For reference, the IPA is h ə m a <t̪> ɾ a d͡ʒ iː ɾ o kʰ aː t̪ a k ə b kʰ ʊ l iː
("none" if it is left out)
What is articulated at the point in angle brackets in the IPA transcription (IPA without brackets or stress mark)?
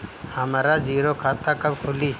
none